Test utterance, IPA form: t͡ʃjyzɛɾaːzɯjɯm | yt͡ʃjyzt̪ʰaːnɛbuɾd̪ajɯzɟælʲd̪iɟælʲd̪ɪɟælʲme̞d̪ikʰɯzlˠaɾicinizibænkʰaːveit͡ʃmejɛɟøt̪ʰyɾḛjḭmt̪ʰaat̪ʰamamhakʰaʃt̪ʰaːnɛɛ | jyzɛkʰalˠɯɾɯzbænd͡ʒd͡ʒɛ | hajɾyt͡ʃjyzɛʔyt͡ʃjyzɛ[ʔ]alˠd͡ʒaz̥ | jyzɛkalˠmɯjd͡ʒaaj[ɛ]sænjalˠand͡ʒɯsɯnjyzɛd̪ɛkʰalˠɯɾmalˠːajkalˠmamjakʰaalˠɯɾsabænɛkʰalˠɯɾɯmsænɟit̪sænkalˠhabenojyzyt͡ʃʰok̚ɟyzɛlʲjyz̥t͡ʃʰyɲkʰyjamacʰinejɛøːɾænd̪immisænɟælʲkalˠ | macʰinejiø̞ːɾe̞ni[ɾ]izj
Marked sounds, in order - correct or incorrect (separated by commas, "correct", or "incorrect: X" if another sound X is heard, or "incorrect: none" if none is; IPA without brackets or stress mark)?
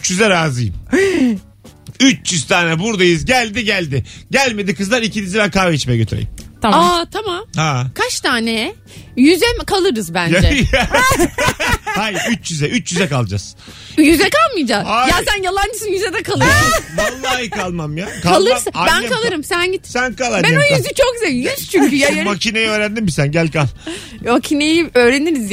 incorrect: k, incorrect: a, correct